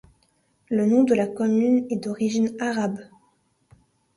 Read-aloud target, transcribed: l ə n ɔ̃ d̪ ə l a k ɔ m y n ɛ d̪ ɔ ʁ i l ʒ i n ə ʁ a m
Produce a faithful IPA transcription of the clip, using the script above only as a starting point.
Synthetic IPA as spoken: l ə n ɔ̃ d̪ ə l a k ɔ m y n ɛ d̪ ɔ ʁ i ʒ i n a ʁ a b